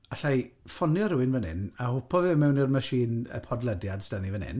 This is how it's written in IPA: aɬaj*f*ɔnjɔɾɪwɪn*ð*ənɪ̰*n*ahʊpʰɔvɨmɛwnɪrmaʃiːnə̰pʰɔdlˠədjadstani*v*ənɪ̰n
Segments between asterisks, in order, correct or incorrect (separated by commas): correct, incorrect, correct, correct